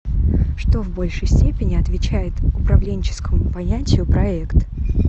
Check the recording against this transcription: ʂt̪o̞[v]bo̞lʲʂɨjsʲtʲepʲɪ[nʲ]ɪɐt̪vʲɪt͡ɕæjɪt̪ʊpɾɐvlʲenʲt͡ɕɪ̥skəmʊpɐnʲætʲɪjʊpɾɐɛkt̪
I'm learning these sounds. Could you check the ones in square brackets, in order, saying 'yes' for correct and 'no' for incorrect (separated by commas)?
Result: yes, yes